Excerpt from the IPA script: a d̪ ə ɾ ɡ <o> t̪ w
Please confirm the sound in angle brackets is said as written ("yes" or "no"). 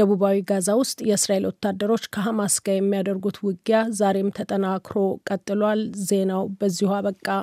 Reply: no